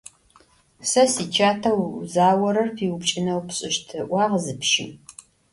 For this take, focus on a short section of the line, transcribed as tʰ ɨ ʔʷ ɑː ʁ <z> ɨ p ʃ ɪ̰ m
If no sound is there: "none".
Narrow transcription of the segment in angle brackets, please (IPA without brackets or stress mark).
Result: z